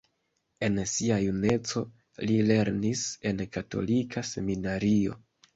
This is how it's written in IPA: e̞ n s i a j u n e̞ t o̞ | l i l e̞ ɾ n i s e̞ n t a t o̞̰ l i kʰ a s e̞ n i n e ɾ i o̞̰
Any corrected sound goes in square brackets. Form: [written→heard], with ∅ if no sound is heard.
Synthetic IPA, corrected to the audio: e̞ n s i a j u n e̞ [t→t͡s] o̞ | l i l e̞ ɾ n i s e̞ n [t→k] a t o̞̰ l i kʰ a s e̞ [n→m] i n [e→a] ɾ i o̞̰